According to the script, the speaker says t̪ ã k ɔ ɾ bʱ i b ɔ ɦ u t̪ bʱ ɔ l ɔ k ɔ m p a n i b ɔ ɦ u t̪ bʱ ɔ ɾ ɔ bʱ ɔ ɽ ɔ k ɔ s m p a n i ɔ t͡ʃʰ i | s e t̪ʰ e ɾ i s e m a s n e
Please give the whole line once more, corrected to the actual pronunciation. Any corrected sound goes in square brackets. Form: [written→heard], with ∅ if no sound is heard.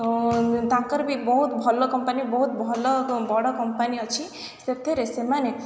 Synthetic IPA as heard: t̪ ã k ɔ ɾ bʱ i b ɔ ɦ u t̪ bʱ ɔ l ɔ k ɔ m p a n i b ɔ ɦ u t̪ bʱ ɔ [ɾ→l] ɔ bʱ ɔ ɽ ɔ k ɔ [s→∅] m p a n i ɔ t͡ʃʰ i | s e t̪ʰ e ɾ [i→e] s e m a [s→∅] n e